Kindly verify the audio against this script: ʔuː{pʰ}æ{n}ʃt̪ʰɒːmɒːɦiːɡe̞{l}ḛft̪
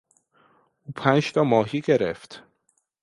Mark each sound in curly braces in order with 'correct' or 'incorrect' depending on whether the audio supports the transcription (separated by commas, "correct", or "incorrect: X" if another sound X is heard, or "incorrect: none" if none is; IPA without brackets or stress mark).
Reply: correct, correct, incorrect: ɾ